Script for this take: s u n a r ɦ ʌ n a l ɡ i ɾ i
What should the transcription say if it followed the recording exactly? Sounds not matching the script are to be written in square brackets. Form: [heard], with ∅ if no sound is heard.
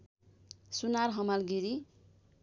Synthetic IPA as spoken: s u n a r ɦ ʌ [m] a l ɡ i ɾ i